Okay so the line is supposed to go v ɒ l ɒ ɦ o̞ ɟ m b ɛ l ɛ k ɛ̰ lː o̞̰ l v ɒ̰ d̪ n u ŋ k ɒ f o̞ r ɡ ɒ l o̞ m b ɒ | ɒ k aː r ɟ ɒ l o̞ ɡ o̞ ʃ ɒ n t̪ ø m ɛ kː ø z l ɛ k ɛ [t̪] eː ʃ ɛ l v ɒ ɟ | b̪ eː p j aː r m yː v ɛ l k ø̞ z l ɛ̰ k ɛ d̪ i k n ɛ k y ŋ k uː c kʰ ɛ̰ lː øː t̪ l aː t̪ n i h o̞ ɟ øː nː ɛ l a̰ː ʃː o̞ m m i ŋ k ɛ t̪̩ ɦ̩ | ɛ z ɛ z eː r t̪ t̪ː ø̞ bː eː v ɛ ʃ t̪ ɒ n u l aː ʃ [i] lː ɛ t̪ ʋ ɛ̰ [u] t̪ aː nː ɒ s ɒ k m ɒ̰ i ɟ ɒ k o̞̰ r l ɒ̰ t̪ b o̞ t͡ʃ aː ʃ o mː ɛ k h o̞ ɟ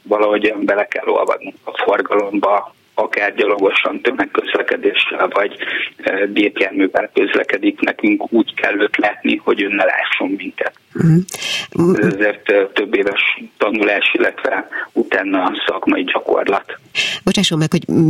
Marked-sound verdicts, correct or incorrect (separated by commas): incorrect, correct, correct